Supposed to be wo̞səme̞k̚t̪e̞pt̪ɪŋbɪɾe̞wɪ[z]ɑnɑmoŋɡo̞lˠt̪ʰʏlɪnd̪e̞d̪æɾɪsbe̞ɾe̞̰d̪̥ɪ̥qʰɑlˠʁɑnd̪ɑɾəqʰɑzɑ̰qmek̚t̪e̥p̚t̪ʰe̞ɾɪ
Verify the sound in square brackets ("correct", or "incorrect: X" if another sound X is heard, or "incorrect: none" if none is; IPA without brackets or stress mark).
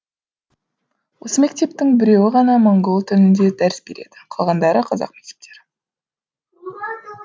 incorrect: ʁ